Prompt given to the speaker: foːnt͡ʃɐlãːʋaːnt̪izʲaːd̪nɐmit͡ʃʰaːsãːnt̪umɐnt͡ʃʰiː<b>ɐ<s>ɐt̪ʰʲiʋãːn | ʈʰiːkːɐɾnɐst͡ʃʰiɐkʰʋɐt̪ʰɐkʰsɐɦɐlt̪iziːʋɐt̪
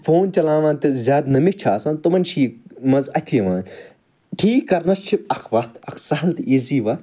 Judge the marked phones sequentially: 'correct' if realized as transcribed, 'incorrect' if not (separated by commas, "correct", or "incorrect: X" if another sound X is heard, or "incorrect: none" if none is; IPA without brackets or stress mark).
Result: incorrect: m, incorrect: z